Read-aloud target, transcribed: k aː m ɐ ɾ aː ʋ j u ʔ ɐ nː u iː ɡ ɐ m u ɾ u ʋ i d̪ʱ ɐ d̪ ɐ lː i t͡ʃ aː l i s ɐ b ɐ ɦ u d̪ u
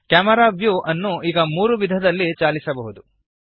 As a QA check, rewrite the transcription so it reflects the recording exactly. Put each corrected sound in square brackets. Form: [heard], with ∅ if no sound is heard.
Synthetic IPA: k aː m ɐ ɾ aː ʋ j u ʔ ɐ nː u iː ɡ ɐ m [uː] ɾ u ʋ i d̪ʱ ɐ d̪ ɐ lː i t͡ʃ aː l i s ɐ b ɐ ɦ u d̪ u